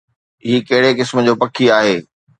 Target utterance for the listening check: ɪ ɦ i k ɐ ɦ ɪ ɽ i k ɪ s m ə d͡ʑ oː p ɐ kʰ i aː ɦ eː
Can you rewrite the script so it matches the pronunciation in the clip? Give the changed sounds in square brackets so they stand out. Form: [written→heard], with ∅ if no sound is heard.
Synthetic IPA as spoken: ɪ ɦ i k ɐ ɦ ɪ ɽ [i→e] k ɪ s m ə d͡ʑ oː p ɐ kʰ i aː ɦ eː